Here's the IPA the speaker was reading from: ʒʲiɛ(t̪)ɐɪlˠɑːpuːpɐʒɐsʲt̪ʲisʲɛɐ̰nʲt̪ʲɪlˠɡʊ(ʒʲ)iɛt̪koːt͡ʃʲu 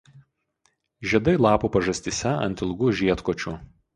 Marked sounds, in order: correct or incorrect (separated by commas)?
incorrect, correct